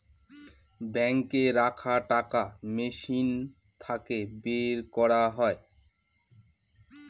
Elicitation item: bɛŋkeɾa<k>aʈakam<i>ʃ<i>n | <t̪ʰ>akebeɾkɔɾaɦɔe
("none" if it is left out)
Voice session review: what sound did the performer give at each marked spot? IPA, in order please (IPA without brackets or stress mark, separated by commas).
kʰ, e, i, t̪ʰ